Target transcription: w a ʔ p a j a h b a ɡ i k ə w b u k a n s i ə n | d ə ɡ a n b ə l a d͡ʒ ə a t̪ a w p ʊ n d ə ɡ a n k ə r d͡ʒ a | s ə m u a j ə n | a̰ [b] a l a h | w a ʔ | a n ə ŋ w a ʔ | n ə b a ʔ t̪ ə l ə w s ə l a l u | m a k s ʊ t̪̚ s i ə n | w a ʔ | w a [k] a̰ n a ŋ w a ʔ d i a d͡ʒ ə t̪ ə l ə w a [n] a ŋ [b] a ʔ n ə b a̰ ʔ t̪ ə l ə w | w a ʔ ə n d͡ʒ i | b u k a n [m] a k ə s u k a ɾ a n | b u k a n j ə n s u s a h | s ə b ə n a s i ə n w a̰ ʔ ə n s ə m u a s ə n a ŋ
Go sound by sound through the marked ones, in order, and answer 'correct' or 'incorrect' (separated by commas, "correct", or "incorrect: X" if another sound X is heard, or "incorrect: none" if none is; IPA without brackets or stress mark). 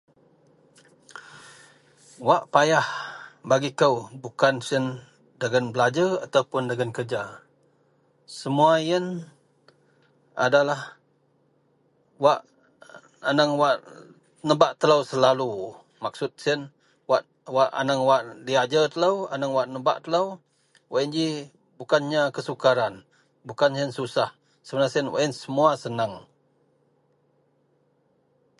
incorrect: d, incorrect: ʔ, correct, incorrect: w, incorrect: ɲ